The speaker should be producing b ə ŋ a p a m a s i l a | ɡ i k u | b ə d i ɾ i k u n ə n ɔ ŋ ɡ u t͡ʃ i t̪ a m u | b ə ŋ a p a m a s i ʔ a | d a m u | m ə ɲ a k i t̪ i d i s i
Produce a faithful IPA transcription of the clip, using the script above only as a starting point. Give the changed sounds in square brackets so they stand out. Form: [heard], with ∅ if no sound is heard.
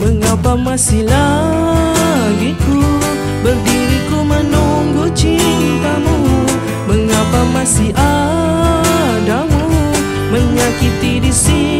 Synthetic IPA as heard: b ə ŋ a p a m a s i l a | ɡ i k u | b ə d i ɾ i k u [m] ə n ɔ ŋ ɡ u t͡ʃ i t̪ a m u | b ə ŋ a p a m a s i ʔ a | d a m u | m ə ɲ a k i t̪ i d i s i